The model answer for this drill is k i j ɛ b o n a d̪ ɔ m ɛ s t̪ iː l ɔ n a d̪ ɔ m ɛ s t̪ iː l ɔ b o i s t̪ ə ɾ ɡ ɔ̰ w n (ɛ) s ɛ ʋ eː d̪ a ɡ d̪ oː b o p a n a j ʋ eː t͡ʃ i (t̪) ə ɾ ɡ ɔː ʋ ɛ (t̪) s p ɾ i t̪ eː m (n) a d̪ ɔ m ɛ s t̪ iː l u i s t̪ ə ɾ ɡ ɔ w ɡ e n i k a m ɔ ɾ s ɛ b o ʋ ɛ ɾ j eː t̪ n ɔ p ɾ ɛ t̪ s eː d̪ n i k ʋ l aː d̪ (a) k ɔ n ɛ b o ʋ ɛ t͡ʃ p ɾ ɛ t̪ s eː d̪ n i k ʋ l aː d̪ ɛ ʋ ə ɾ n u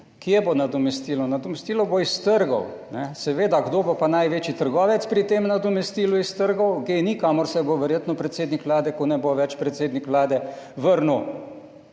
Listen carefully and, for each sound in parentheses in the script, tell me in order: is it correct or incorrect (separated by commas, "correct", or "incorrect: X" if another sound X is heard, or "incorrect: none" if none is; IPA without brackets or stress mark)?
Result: correct, correct, correct, correct, incorrect: ɛ